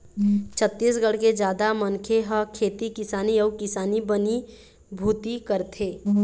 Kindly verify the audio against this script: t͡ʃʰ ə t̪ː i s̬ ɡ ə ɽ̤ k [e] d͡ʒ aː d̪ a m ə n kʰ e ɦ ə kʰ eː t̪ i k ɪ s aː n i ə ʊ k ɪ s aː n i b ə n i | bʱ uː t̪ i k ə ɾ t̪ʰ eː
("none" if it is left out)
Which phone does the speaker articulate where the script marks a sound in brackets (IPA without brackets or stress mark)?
e